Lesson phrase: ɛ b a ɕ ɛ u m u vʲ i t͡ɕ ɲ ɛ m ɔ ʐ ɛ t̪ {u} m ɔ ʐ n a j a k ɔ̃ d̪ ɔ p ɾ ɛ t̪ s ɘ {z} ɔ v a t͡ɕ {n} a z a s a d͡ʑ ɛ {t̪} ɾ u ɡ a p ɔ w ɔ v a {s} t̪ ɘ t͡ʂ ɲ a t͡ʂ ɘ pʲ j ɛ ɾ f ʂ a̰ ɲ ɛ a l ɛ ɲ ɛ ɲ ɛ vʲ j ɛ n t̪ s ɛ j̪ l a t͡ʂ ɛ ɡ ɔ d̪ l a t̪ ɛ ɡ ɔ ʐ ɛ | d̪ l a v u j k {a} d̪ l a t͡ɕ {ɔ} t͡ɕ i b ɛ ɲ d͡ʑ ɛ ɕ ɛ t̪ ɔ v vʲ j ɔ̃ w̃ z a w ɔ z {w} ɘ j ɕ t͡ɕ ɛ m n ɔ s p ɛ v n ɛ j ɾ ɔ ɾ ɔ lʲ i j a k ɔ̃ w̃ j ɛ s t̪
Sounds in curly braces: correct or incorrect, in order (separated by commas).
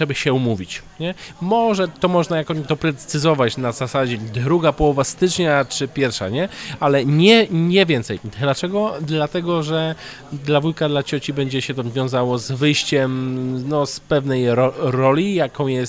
incorrect, correct, correct, incorrect, correct, correct, correct, incorrect